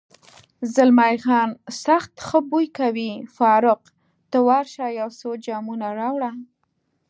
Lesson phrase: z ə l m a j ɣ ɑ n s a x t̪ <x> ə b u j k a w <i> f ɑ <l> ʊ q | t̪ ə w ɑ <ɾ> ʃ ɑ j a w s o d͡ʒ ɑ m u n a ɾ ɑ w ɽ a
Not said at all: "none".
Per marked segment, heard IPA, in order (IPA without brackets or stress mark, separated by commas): x, i, ɾ, ɾ